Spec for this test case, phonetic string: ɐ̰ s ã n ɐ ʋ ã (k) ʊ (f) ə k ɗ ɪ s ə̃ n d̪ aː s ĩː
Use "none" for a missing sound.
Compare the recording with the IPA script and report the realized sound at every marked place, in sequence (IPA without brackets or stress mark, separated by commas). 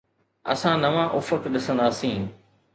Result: ʔ, f